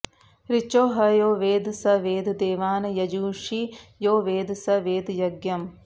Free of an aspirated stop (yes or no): yes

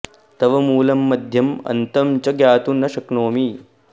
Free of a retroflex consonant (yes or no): yes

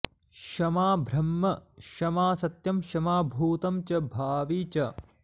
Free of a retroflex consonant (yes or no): yes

